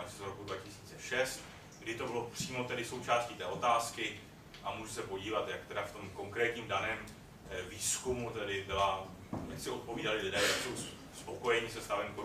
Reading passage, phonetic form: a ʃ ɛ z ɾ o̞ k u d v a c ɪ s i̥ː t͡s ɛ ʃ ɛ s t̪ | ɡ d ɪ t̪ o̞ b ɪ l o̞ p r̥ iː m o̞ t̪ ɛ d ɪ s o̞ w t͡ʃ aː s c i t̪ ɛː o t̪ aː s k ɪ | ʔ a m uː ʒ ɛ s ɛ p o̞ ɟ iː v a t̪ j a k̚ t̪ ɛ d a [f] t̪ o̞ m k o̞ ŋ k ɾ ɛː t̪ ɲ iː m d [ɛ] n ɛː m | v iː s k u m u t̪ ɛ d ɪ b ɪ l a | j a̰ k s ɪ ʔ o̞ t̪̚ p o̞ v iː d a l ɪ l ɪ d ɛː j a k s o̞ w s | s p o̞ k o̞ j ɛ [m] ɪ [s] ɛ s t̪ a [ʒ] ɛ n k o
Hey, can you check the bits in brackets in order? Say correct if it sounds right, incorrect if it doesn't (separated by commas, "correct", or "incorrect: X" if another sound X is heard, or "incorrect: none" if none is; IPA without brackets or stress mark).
correct, incorrect: a, incorrect: ɲ, correct, incorrect: v